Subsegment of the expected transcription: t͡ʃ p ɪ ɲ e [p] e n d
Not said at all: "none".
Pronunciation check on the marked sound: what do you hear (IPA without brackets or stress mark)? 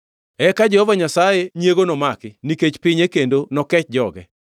k